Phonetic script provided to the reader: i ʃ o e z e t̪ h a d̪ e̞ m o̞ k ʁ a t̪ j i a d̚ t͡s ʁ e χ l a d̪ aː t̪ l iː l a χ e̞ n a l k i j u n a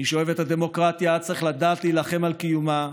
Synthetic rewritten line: i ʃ o e v e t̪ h a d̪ e̞ m o̞ k ʁ a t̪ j a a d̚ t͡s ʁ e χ l a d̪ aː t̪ l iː l a χ e̞ m a l k i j u m a